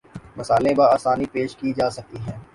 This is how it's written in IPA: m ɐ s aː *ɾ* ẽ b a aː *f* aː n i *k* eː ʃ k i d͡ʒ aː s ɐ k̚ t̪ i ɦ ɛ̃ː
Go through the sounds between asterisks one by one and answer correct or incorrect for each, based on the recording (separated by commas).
incorrect, incorrect, incorrect